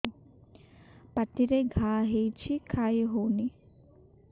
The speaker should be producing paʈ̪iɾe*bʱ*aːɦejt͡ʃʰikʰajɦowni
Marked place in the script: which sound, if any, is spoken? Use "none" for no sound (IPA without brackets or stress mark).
ɡʱ